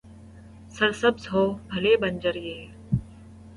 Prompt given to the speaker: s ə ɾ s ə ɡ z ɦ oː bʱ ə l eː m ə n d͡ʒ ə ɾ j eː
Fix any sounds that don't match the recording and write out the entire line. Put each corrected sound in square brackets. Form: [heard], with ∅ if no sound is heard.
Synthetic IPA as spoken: s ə ɾ s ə [b] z ɦ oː bʱ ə l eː [b] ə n d͡ʒ ə ɾ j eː